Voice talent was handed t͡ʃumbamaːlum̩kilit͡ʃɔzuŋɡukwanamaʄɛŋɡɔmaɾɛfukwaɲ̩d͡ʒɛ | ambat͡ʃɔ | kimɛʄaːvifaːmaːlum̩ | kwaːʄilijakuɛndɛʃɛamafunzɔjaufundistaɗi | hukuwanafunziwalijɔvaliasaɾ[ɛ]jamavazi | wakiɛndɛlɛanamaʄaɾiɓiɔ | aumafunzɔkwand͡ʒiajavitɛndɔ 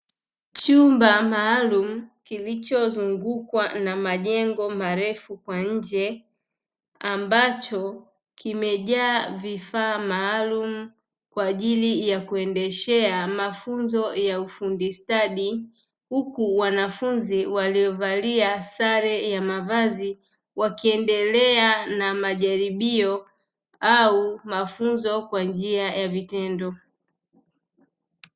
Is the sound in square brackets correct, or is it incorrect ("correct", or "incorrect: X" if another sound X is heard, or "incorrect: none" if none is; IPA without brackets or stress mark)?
correct